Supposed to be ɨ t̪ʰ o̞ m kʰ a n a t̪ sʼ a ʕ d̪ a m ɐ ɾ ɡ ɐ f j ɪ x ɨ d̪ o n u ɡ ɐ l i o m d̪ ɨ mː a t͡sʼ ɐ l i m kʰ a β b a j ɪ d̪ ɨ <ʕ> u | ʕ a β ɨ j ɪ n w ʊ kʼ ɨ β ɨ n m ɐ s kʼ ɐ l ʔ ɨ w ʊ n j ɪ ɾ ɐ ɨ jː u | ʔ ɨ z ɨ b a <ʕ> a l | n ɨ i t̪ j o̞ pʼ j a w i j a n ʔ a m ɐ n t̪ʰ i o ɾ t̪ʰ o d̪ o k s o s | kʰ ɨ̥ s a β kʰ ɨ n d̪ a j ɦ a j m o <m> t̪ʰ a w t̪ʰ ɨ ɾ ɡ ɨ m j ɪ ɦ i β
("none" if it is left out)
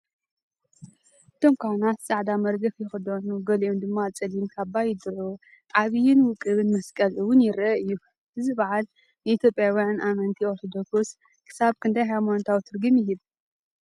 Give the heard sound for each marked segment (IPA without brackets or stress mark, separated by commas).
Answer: ʕ, ʕ, n